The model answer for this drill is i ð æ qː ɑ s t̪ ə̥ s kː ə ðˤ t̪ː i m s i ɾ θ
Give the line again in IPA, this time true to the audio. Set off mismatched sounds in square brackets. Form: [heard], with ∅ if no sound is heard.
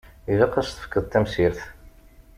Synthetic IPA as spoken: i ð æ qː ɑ s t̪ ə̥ [f] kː ə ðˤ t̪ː [æ] m s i ɾ θ